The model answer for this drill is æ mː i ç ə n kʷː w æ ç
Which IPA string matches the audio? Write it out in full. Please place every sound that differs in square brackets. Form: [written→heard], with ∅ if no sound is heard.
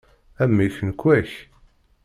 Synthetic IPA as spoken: æ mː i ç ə n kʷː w æ ç